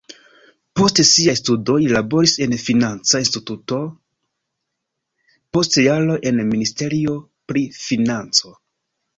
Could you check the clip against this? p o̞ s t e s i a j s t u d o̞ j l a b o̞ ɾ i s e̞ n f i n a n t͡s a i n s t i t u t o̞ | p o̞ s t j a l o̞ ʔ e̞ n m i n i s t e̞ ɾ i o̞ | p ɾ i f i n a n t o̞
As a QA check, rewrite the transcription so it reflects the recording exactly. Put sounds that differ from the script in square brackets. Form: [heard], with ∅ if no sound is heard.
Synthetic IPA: p o̞ s t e s i a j s t u d o̞ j l a b o̞ ɾ i s e̞ n f i n a n t͡s a i n s t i t u t o̞ | p o̞ s t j a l o̞ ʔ e̞ n m i n i s t e̞ ɾ i o̞ | p ɾ i f i n a n [t͡s] o̞